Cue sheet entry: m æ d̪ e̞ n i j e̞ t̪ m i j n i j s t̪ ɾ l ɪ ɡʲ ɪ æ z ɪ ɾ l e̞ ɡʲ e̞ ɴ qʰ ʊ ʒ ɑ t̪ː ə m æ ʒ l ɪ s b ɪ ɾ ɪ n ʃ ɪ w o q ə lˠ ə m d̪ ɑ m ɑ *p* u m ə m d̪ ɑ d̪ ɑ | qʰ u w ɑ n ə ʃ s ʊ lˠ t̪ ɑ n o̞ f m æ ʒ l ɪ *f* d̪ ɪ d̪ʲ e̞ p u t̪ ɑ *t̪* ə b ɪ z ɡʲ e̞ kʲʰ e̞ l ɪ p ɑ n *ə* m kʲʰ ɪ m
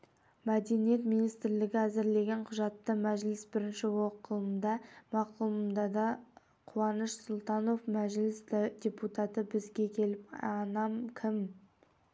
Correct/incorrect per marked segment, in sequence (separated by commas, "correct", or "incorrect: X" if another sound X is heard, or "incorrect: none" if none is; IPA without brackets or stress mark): incorrect: q, incorrect: s, correct, incorrect: ɑ